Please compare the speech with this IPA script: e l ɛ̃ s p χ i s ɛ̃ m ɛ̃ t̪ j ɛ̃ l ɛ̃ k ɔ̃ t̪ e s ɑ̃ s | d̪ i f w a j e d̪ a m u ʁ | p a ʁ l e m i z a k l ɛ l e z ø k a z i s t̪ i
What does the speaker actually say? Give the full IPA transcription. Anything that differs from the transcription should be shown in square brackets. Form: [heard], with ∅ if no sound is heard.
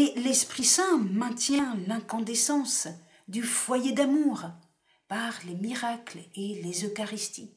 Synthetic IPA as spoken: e l [ɛ] s p χ i s ɛ̃ m ɛ̃ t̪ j ɛ̃ l ɛ̃ k ɔ̃ [d̪] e s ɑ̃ s | d̪ [y] f w a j e d̪ a m u ʁ | p a ʁ l e m i [ʁ] a k l [e] l e z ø k a [ʁ] i s t̪ i

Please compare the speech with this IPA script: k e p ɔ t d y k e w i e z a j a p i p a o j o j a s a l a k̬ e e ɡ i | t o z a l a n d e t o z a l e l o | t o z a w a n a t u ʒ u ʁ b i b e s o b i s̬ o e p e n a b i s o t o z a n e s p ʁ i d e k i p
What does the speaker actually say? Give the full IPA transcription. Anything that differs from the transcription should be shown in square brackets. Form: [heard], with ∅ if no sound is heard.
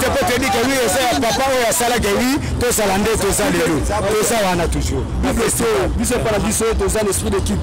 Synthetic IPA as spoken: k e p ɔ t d [i] k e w i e z a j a p [a] p a o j o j a s a l a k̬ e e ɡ i | t o z a l a n d e t o z a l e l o | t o z a w a n a t u ʒ u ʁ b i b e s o b i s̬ o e p [a] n a b i s o t o z a n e s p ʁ i d e k i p

